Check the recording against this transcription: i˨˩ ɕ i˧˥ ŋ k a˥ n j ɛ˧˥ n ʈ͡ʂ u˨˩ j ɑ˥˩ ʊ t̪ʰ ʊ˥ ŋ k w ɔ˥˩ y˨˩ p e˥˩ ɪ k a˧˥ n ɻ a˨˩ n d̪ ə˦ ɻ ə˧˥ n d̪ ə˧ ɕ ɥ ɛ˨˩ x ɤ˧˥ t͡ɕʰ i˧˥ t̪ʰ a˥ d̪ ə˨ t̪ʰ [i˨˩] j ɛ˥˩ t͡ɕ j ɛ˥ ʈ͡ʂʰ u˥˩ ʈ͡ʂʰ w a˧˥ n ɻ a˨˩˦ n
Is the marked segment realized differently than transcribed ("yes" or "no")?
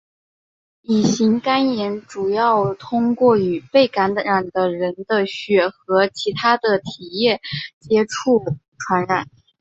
no